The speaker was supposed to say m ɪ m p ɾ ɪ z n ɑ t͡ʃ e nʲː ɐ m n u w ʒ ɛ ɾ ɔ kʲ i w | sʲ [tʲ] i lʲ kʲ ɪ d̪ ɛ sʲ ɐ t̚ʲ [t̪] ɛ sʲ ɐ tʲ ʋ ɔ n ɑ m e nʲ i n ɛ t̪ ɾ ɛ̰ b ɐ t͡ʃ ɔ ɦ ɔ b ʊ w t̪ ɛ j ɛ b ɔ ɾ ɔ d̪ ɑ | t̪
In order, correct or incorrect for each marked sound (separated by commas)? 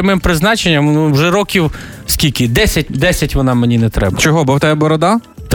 incorrect, incorrect